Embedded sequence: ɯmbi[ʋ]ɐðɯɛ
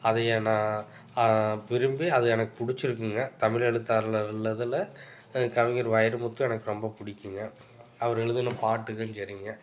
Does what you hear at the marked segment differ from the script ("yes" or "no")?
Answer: yes